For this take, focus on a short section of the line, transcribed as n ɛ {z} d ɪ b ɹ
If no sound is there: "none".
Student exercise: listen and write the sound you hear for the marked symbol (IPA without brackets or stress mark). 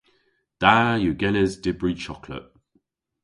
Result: z